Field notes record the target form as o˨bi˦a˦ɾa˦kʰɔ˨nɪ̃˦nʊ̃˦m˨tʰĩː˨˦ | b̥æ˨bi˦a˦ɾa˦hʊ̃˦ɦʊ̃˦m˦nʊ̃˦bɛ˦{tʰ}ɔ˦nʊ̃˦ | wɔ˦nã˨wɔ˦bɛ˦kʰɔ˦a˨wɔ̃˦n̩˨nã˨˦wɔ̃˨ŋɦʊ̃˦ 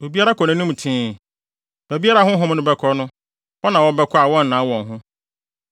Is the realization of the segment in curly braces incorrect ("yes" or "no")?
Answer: yes